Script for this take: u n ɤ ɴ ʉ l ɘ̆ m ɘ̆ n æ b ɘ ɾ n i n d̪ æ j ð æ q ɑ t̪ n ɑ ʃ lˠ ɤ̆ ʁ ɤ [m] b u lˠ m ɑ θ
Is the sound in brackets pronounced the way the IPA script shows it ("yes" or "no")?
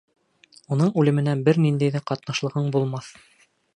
no